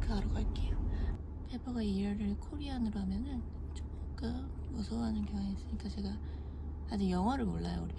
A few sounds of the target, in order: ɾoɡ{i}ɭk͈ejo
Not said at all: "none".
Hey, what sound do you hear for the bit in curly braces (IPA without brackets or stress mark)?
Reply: a